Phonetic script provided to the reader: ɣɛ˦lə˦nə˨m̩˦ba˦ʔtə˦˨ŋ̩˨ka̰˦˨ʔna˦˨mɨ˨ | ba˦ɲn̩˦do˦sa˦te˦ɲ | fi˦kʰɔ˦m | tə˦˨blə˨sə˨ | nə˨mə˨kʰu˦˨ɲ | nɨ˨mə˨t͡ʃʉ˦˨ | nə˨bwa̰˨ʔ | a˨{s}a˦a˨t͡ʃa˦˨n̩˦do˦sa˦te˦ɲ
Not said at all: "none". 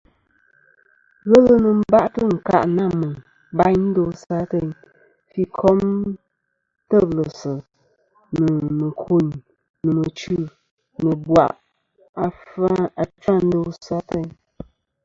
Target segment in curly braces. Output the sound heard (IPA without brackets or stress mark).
f